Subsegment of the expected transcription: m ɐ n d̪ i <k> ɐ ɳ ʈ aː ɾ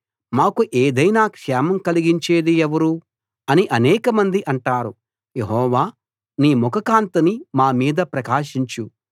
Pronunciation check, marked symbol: incorrect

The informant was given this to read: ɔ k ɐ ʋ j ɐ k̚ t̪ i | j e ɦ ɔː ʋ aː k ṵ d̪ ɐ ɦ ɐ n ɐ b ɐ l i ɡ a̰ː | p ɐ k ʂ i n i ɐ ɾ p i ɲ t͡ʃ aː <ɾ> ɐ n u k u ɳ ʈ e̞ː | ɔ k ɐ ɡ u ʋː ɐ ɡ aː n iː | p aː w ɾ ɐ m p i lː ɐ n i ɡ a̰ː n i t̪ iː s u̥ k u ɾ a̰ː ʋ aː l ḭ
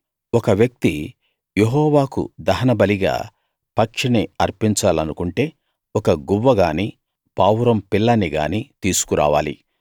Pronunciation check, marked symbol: incorrect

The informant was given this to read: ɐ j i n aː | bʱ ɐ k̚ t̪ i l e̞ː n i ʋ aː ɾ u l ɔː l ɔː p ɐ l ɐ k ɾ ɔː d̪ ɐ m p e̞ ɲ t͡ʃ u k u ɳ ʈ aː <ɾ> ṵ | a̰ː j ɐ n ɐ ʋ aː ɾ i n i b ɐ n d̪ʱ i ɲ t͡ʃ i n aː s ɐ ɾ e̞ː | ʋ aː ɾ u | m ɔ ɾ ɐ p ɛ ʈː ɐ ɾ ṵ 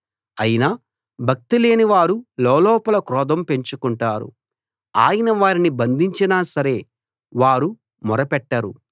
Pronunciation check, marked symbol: correct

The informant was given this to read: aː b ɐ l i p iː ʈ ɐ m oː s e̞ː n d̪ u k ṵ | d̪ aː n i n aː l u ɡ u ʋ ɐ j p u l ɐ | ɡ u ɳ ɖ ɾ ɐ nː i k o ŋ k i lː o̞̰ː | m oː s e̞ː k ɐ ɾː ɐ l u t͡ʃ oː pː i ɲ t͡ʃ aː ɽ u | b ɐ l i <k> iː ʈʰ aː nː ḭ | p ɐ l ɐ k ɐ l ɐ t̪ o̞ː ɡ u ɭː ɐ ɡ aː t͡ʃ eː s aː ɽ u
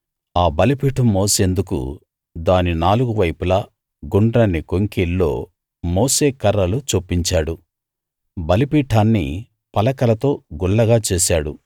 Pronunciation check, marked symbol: incorrect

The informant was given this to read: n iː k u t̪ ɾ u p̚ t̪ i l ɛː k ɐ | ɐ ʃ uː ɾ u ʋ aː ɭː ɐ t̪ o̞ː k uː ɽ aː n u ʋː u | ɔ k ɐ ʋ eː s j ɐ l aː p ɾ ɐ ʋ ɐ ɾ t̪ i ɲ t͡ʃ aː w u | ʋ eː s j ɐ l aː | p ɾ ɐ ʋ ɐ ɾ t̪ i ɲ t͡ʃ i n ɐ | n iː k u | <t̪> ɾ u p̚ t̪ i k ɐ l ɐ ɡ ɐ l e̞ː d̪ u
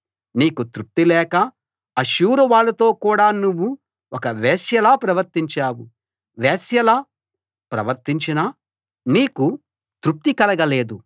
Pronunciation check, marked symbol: correct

